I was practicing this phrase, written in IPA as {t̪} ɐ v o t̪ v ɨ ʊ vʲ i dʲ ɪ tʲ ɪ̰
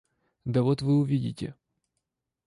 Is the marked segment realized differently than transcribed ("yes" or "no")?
yes